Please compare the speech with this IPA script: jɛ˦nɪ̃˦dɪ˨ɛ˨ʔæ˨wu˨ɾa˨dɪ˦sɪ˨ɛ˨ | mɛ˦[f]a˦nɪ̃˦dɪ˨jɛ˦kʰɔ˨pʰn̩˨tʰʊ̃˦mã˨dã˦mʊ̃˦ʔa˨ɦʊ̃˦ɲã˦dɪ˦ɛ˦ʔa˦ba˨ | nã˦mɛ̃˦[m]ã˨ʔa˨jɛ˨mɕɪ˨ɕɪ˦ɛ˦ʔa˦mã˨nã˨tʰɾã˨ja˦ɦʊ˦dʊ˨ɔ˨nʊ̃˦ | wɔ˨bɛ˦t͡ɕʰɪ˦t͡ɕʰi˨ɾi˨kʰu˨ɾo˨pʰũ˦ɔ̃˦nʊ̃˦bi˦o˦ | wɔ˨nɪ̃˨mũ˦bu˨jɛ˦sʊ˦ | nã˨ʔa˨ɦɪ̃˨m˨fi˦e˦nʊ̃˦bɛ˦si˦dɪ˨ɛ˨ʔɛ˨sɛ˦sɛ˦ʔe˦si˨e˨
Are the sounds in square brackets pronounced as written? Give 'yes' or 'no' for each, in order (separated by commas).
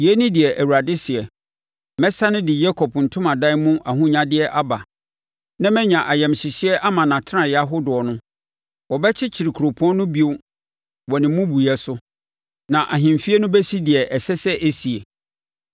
no, no